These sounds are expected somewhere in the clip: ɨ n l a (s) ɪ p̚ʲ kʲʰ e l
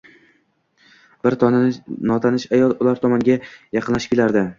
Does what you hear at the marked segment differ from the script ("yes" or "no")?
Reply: yes